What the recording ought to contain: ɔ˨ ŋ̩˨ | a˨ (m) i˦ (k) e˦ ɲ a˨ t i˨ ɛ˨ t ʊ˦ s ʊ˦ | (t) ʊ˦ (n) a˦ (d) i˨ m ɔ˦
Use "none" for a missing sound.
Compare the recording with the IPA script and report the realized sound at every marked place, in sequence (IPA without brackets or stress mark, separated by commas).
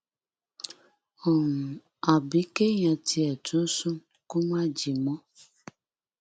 b, k, k, m, d͡ʒ